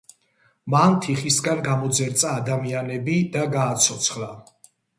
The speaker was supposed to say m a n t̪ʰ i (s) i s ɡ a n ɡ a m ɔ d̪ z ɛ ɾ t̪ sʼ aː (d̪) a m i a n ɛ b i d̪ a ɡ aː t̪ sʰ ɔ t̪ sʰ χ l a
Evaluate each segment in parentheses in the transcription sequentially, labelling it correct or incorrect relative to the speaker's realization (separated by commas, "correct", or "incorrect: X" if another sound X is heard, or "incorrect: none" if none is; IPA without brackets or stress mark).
incorrect: χ, correct